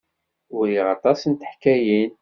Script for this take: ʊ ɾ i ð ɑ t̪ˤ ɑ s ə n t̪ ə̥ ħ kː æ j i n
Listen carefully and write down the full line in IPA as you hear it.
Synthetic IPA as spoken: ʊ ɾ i ʁ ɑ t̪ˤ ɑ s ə n t̪ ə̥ ħ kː æ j i n